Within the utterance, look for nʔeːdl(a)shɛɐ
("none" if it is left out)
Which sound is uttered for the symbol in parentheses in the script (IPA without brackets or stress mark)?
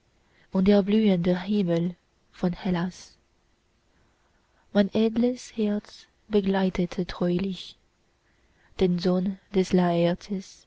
ə